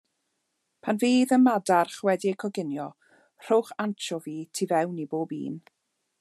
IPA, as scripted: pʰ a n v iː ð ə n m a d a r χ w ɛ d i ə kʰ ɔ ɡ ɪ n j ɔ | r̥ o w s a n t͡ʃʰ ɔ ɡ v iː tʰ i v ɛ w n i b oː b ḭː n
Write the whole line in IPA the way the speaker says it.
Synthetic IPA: pʰ a n v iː ð ə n m a d a r χ w ɛ d i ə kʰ ɔ ɡ ɪ n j ɔ | r̥ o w χ a n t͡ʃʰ ɔ v iː tʰ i v ɛ w n i b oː b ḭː n